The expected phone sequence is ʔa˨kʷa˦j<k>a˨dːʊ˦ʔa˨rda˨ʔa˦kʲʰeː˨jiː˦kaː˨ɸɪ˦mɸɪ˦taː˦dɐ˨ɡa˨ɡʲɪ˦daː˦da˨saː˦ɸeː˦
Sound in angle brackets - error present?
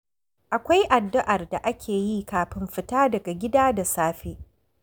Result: yes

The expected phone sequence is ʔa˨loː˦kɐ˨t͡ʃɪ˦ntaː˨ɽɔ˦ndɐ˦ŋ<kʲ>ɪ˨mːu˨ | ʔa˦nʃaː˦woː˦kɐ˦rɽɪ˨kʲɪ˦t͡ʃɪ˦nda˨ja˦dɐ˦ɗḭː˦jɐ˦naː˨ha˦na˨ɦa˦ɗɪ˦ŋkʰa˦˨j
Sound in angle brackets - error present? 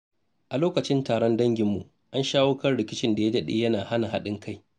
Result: yes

